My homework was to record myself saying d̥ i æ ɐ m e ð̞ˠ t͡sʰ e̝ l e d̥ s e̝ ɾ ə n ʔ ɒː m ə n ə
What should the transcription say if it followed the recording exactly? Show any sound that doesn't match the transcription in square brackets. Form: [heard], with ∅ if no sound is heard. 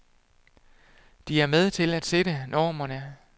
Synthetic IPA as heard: d̥ i æ ɐ m e ð̞ˠ t͡sʰ e̝ l [æ] d̥ s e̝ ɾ ə n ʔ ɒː m [ɐ] n ə